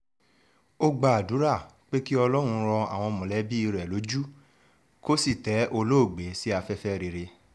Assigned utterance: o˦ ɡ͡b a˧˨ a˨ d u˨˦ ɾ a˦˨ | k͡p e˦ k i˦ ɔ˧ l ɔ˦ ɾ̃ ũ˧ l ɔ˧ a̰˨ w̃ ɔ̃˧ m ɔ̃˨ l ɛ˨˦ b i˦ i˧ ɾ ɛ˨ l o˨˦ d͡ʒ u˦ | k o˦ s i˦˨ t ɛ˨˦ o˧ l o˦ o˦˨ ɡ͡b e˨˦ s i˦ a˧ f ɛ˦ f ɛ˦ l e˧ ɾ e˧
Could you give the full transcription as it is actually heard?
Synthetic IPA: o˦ ɡ͡b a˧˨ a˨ d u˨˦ ɾ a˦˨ | k͡p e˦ k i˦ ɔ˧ l ɔ˦ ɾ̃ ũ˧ ɾ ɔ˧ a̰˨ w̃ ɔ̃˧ m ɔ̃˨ l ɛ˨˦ b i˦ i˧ ɾ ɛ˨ l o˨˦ d͡ʒ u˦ | k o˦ s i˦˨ t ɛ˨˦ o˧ l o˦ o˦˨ ɡ͡b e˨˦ s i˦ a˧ f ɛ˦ f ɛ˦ ɾ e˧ ɾ e˧